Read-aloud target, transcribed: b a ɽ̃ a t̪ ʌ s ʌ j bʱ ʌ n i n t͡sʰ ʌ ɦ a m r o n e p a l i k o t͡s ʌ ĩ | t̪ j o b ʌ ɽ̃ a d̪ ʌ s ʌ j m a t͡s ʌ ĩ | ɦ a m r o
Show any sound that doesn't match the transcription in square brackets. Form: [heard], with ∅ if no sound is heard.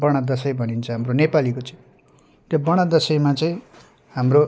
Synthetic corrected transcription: b [ʌ] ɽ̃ a [d̪] ʌ s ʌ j bʱ ʌ n i n t͡sʰ ʌ ɦ a m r o n e p a l i k o t͡s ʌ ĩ | t̪ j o b ʌ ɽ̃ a d̪ ʌ s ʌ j m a t͡s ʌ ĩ | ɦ a m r o